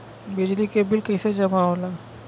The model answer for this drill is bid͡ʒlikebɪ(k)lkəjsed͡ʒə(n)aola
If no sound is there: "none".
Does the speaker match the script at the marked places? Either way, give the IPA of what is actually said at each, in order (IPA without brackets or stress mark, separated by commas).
none, m